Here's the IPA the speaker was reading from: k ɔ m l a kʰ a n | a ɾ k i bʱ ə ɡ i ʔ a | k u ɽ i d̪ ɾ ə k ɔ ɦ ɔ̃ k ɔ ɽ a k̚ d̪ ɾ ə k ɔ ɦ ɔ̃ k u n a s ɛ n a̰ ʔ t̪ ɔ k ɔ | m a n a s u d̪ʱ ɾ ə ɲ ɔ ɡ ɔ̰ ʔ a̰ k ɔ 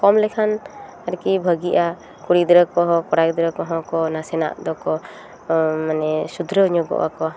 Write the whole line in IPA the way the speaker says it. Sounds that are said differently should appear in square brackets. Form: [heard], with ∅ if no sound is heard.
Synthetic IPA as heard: k ɔ m l [ɛ] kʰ a n | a ɾ k i bʱ ə ɡ i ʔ a | k u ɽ i d̪ ɾ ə k ɔ ɦ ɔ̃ k ɔ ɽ a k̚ d̪ ɾ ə k ɔ ɦ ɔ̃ k [ɔ] n a s ɛ n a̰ ʔ [d̪] ɔ k ɔ | m a n [ɛ] s u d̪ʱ ɾ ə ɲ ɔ ɡ ɔ̰ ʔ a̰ k ɔ